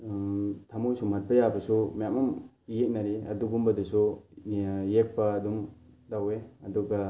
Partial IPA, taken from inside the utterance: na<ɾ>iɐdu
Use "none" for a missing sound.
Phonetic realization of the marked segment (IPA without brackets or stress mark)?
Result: ɾ